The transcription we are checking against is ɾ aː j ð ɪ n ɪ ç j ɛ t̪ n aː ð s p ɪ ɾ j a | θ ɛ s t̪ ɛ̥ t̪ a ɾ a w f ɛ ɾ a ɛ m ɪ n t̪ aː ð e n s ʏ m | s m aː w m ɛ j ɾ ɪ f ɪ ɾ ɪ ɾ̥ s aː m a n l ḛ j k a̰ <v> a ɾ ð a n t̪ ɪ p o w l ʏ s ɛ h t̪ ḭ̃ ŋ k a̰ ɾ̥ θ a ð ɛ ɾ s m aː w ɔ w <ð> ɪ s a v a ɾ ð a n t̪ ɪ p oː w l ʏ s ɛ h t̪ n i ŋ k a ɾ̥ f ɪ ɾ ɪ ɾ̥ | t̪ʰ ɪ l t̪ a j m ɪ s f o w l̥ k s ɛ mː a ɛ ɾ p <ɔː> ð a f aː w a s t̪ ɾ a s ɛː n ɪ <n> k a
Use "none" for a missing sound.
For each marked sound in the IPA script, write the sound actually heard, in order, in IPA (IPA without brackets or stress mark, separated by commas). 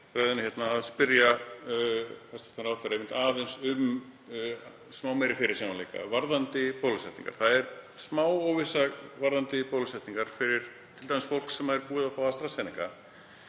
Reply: v, v, uː, ŋ